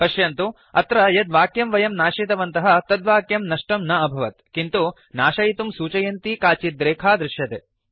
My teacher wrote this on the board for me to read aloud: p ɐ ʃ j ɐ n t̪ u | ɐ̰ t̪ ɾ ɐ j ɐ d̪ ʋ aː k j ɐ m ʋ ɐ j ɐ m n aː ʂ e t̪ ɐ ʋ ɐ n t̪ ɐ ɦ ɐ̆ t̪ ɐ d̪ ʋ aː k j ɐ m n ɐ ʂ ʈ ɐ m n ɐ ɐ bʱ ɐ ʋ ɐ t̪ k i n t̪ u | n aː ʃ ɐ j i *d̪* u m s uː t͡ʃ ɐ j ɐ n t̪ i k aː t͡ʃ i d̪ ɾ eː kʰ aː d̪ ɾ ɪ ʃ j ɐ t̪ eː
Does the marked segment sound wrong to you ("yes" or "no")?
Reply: yes